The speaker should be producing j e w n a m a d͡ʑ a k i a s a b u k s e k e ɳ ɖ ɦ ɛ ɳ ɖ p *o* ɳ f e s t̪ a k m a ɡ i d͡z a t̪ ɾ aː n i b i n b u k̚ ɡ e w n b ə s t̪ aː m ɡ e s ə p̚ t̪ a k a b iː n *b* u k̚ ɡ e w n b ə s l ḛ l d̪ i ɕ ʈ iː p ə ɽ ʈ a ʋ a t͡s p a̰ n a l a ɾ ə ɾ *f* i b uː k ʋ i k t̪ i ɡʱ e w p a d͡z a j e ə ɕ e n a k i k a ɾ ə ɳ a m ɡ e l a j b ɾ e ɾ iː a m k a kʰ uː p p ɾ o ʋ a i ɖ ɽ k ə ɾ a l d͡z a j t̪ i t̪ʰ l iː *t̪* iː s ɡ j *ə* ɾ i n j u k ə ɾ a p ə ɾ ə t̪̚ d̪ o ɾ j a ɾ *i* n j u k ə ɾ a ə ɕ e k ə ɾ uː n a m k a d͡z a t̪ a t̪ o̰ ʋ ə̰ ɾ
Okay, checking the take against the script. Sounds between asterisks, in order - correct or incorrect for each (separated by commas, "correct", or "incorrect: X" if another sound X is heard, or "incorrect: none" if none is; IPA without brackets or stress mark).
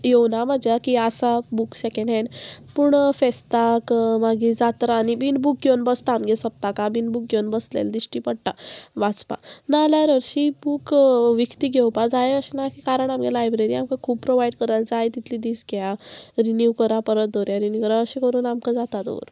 incorrect: u, correct, incorrect: ɕ, incorrect: d̪, incorrect: a, correct